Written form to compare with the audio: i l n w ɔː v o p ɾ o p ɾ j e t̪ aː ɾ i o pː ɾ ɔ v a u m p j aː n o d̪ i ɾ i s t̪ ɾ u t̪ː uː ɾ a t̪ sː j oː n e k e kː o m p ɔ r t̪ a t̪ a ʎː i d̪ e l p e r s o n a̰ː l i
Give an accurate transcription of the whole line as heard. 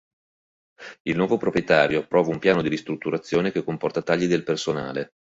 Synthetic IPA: i l n w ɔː v o p ɾ o p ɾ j e t̪ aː ɾ j o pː ɾ ɔː v a u m p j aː n o d̪ i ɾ i s t̪ ɾ u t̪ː u ɾ a t̪ sː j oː n e k e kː o m p ɔ r t̪ a t̪ a ʎː i d̪ e l p e r s o n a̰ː l e